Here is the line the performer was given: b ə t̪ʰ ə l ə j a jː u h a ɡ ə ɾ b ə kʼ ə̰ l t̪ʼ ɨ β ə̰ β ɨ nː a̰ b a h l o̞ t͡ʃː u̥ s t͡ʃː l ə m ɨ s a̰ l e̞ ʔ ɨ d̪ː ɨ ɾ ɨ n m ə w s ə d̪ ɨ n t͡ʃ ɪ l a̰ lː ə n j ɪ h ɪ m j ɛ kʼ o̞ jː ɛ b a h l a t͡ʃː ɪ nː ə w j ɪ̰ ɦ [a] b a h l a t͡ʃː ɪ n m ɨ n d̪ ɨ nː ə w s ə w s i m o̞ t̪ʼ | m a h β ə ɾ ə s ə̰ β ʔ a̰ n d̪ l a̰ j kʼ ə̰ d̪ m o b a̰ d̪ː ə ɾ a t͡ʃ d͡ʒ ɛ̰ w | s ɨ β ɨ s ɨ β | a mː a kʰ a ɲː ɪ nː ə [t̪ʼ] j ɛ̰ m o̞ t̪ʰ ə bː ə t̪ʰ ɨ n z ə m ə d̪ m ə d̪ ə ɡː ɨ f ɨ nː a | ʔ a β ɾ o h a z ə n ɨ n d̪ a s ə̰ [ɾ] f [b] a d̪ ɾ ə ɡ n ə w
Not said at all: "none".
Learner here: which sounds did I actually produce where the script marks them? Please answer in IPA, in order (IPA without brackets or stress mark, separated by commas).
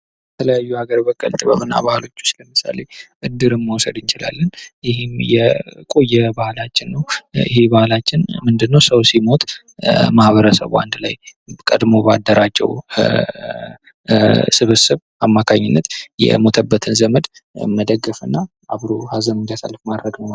e, t̪, l, m